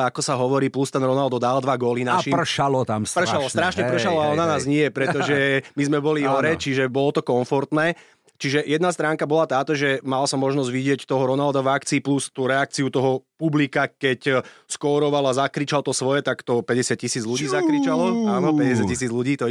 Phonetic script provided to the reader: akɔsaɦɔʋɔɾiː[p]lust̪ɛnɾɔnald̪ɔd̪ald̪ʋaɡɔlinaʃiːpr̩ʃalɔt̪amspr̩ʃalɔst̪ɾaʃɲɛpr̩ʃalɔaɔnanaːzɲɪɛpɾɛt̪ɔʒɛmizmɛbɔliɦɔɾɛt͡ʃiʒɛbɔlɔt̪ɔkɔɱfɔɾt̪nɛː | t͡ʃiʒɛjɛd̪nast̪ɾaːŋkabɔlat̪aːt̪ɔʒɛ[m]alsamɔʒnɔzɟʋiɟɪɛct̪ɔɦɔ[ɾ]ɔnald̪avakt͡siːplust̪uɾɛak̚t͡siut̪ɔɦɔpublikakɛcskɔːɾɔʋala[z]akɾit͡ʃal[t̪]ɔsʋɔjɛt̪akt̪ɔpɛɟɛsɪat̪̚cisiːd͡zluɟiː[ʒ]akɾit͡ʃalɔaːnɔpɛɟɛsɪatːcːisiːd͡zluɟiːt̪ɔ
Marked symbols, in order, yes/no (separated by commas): yes, yes, yes, yes, yes, no